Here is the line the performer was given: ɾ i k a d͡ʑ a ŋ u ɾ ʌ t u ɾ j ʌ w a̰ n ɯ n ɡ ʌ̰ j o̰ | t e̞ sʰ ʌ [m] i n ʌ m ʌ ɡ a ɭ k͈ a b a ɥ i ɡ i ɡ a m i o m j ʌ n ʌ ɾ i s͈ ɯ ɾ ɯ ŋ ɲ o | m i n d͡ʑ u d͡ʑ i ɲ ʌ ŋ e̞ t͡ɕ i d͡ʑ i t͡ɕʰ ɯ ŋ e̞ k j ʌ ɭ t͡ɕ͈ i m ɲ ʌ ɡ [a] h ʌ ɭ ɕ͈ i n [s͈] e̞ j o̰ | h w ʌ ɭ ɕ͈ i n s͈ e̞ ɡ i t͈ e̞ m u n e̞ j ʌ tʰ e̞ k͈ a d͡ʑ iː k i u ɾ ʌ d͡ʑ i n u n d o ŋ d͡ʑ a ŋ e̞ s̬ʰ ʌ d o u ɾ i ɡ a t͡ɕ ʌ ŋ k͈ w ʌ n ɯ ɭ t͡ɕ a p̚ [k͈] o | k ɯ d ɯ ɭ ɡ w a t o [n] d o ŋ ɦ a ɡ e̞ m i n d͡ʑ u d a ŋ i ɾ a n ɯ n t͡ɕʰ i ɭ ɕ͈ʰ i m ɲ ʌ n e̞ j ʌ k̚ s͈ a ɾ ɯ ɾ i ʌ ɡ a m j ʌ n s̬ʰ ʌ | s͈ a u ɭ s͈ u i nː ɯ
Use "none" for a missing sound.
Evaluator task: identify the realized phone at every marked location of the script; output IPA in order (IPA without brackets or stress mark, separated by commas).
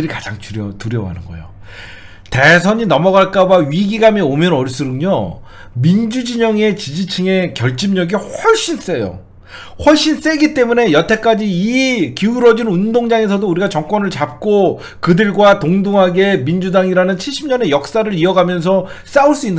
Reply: ɲ, i, s͈, k͈, ŋ